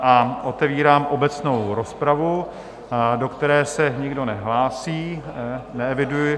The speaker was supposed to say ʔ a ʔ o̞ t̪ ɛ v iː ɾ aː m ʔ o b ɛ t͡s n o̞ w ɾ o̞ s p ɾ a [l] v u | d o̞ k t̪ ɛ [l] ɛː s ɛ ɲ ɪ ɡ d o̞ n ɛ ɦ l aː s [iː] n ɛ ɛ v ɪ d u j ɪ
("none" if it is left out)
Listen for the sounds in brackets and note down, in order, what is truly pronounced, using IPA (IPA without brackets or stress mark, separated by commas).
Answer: none, ɾ, iː